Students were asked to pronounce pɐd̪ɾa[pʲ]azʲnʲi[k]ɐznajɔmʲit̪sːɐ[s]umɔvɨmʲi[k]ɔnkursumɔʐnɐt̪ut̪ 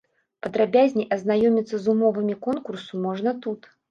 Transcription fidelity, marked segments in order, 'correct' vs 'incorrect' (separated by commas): incorrect, incorrect, incorrect, correct